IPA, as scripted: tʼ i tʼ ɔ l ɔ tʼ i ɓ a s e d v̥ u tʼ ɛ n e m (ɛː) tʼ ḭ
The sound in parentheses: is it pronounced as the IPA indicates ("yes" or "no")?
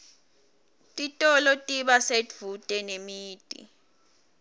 no